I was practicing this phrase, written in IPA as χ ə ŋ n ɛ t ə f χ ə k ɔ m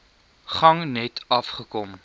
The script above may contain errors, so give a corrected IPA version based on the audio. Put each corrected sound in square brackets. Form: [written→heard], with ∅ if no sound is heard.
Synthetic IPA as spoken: χ [ə→ɐ] ŋ n ɛ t [ə→ɐ] f χ ə k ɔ m